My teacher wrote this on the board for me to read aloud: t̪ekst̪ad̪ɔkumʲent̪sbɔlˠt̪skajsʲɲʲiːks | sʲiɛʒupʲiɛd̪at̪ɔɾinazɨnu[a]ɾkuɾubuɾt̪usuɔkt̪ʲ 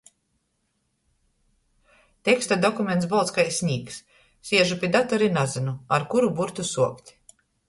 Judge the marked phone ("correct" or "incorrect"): correct